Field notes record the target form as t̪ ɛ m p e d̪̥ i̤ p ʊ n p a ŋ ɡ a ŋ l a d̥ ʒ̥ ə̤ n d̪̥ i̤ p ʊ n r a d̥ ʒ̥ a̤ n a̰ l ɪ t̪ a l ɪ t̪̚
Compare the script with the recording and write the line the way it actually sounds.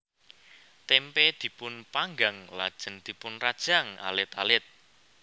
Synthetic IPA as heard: t̪ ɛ m p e d̪̥ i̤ p ʊ n p a ŋ ɡ a ŋ l a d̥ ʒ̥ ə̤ n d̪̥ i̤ p ʊ n r a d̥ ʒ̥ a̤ ŋ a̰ l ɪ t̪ a l ɪ t̪̚